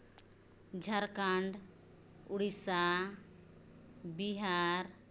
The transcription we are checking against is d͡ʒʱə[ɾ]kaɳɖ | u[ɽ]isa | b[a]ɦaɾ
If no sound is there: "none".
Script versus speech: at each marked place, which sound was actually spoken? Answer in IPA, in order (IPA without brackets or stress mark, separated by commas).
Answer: ɾ, ɽ, i